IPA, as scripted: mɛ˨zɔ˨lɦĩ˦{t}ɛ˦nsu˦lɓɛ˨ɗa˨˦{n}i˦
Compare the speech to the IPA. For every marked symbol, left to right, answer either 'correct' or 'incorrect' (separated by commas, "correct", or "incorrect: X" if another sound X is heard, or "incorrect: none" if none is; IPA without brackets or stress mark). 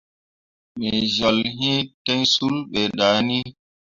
correct, correct